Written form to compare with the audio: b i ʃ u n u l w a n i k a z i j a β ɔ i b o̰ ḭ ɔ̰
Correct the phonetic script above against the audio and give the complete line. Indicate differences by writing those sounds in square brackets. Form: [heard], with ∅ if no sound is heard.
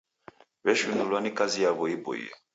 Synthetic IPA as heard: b [ɛ] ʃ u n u l w a n i k a z i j a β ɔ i b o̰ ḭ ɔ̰